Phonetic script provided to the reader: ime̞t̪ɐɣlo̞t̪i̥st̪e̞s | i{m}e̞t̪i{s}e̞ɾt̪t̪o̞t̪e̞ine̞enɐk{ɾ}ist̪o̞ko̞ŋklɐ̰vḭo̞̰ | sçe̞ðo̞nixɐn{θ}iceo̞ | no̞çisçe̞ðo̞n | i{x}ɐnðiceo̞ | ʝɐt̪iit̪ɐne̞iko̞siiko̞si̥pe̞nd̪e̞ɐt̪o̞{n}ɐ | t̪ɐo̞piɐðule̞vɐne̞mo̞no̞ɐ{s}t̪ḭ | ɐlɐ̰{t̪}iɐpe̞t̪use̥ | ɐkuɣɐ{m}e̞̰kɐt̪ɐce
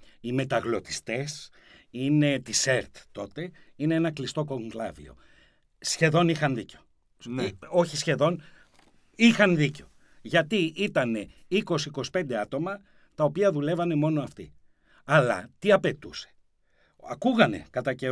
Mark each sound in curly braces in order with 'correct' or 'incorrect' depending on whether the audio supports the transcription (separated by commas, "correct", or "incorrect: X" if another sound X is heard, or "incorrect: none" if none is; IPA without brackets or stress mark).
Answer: incorrect: n, correct, incorrect: l, incorrect: ð, correct, incorrect: m, incorrect: f, correct, incorrect: n